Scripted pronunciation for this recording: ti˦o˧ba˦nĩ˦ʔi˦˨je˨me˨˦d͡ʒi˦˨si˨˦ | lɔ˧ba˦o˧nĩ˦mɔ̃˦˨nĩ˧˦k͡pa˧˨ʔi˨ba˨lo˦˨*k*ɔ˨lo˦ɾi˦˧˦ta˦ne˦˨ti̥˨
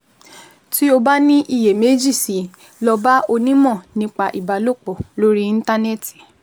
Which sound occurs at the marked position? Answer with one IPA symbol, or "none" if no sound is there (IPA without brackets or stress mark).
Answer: k͡p